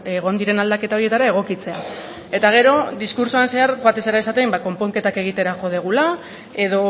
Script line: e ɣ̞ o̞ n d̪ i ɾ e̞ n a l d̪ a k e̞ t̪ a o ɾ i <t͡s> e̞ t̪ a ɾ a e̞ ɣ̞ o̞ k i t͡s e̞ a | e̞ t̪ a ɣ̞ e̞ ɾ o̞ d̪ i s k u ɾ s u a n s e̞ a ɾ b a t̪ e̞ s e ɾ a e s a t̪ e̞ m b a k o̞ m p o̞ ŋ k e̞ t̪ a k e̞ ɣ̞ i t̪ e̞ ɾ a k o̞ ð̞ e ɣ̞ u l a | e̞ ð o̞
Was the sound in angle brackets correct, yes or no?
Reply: no